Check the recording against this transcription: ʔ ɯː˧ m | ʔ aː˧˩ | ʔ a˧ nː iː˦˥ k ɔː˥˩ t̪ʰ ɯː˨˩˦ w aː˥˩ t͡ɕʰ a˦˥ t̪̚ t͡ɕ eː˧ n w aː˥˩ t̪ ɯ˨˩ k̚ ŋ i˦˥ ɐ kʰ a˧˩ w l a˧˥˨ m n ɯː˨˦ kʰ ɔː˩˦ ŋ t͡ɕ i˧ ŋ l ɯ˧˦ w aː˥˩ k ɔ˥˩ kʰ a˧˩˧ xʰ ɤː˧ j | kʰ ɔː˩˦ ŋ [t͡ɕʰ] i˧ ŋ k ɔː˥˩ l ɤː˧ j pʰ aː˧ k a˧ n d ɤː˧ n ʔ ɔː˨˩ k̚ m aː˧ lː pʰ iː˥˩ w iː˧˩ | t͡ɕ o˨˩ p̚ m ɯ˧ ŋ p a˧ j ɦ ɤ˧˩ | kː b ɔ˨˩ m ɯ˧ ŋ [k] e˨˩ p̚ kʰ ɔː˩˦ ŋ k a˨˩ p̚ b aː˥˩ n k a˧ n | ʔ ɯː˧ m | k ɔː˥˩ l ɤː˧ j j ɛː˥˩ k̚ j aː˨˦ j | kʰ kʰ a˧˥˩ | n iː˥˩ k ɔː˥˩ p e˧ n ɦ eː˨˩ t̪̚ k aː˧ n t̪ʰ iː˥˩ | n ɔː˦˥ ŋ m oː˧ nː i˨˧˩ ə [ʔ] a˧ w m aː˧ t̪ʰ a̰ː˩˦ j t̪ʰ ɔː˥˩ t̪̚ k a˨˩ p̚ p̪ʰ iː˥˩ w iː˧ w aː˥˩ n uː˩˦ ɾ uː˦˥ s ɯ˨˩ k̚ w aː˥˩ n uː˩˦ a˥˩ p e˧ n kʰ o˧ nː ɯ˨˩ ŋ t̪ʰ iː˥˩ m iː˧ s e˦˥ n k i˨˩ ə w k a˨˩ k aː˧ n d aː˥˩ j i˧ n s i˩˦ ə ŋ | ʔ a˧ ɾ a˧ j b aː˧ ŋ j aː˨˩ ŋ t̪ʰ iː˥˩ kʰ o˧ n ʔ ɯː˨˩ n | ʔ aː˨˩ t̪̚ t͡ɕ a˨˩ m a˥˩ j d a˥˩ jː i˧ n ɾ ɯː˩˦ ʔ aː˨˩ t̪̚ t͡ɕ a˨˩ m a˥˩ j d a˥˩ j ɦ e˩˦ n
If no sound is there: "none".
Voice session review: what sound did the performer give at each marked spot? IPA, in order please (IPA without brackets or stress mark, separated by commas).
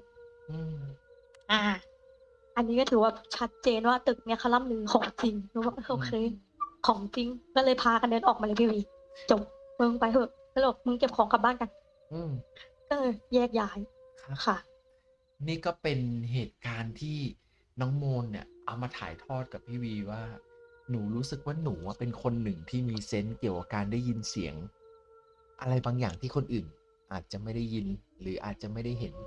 t͡ɕ, k, ʔ